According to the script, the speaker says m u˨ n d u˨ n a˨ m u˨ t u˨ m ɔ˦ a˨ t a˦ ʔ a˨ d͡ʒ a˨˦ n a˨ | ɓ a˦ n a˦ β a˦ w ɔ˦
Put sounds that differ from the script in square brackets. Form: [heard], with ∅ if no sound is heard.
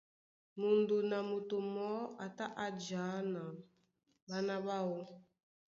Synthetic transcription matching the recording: m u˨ n d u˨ n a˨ m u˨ t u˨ m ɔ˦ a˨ t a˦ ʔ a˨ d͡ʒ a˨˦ n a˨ | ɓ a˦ n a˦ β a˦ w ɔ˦

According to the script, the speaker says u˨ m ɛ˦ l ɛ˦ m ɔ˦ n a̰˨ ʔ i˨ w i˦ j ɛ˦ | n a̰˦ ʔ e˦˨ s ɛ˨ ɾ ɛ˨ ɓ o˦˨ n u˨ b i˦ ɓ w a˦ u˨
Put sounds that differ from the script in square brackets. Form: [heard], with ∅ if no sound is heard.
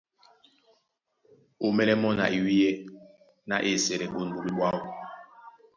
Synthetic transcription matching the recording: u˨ m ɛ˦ l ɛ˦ m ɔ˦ n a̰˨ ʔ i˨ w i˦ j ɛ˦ | n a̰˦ ʔ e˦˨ s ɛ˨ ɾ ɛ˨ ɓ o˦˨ n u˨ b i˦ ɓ w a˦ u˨

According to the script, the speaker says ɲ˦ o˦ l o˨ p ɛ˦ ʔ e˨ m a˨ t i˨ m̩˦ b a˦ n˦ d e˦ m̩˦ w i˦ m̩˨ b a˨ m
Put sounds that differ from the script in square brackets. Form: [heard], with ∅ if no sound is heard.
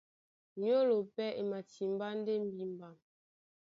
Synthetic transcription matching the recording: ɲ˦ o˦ l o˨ p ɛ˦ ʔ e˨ m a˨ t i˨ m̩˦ b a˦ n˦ d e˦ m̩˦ [b] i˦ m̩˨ b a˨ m

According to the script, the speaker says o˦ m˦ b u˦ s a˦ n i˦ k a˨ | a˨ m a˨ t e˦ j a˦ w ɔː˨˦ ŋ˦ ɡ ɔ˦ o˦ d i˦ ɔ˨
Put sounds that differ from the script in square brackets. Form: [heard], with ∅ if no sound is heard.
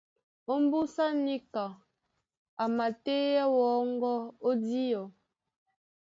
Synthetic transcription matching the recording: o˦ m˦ b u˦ s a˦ n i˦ k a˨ | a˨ m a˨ t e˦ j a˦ w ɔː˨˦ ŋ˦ ɡ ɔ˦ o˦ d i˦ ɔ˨

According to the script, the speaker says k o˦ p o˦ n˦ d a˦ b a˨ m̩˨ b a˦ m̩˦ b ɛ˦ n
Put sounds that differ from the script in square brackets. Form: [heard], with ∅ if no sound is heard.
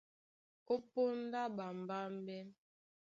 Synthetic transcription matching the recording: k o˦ p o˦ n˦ d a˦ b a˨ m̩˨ b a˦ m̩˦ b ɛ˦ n

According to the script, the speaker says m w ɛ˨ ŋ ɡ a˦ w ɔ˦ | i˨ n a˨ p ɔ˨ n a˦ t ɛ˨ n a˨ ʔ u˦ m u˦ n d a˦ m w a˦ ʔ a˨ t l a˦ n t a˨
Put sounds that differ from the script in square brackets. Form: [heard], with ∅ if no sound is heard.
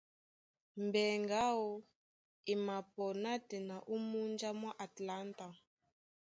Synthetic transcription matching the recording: m [b] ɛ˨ ŋ ɡ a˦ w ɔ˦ | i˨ [m] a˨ p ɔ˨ n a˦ t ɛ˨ n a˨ ʔ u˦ m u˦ n [d͡ʒ] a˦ m w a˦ ʔ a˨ t l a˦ n t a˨

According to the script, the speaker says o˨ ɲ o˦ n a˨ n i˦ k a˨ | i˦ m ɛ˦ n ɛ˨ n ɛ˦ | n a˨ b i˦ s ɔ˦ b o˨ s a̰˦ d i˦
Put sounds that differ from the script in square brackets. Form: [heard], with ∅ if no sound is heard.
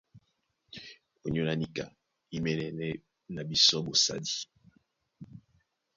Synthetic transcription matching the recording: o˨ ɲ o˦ n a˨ n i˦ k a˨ | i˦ m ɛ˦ n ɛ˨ n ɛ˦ | n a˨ b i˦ s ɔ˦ b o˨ s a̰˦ d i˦

